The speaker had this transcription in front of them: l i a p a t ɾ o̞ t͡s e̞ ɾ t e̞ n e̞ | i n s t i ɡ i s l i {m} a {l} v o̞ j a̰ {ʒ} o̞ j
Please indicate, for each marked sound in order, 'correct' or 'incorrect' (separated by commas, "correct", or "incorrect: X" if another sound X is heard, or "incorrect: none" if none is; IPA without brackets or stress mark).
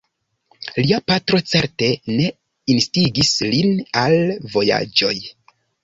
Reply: incorrect: n, correct, incorrect: d͡ʒ